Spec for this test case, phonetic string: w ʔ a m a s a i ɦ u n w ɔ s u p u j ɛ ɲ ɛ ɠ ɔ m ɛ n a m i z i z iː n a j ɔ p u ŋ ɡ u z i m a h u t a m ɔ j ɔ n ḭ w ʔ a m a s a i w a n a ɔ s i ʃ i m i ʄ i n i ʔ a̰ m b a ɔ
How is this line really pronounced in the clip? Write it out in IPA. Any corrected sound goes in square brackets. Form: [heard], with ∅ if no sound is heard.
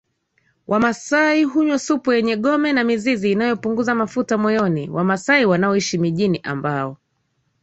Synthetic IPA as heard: w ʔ a m a s a i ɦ u [ɲ] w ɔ s u p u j ɛ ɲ ɛ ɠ ɔ m ɛ n a m i z i z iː n a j ɔ p u ŋ ɡ u z [a] m a [f] u t a m ɔ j ɔ n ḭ w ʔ a m a s a i w a n a ɔ [∅] i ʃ i m i ʄ i n i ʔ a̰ m b a ɔ